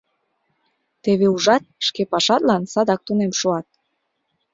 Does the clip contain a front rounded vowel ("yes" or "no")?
no